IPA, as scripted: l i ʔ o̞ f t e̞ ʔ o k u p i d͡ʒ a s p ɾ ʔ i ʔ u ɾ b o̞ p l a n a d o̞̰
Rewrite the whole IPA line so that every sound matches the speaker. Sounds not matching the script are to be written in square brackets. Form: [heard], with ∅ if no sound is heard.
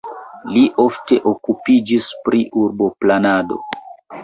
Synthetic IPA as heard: l i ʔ o̞ f t e̞ ʔ o k u p i d͡ʒ [i] s p ɾ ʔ i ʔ u ɾ b o̞ p l a n a d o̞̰